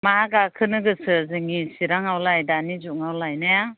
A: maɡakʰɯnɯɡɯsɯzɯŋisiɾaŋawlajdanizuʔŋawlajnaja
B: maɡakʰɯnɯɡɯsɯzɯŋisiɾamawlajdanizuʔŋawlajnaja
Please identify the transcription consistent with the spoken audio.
A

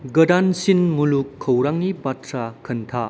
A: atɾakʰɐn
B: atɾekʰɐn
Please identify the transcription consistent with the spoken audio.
A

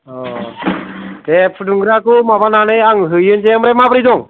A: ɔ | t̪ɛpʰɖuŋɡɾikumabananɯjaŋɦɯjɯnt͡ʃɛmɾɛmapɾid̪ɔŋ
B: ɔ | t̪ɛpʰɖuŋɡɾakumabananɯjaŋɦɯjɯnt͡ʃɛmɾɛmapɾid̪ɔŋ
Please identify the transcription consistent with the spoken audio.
B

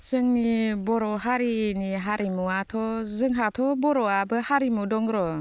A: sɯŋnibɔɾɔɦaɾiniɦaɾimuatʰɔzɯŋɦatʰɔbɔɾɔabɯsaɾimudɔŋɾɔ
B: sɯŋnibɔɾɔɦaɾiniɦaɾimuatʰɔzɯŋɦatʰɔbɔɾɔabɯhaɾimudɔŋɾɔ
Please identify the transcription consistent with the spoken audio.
B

